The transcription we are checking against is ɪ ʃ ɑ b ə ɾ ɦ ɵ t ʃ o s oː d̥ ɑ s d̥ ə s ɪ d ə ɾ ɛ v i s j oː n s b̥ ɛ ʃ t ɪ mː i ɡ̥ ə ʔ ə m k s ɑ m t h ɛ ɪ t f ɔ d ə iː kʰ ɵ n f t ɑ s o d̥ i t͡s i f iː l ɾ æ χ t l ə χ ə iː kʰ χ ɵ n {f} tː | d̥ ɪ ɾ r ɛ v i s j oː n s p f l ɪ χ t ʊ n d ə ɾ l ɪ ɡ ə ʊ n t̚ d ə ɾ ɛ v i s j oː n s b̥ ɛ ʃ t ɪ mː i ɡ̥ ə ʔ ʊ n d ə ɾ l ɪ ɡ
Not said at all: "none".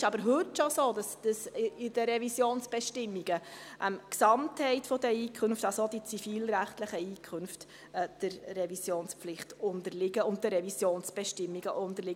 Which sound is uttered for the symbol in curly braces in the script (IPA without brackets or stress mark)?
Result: f